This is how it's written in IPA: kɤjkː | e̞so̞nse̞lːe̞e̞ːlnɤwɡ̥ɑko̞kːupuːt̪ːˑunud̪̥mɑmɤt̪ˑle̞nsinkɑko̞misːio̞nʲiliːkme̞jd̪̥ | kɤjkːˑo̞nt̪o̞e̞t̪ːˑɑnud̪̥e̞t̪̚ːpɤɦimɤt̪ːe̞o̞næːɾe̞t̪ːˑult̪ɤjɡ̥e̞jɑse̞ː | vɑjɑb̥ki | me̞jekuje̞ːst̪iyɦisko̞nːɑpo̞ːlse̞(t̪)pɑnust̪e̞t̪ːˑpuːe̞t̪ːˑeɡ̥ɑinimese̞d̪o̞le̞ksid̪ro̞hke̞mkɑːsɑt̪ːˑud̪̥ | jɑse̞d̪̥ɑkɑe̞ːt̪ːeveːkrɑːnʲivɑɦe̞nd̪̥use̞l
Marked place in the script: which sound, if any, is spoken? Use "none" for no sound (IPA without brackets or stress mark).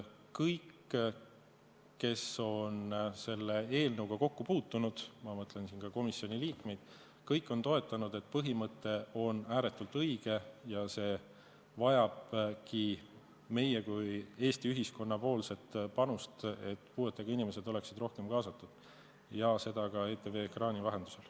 t̪